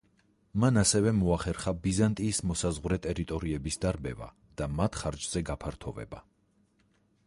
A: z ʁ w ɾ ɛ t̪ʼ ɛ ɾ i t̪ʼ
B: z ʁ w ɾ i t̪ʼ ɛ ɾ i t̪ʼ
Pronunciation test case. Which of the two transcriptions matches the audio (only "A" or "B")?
A